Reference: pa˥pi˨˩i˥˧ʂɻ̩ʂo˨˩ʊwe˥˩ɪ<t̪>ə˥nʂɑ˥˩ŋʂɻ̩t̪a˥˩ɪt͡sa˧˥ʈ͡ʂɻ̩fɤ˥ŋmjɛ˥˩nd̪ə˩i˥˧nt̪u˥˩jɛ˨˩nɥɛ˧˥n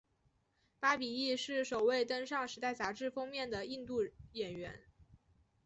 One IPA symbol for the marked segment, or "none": t̪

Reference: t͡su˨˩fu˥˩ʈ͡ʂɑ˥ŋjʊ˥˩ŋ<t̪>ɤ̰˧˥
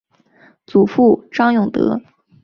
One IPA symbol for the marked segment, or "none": t̪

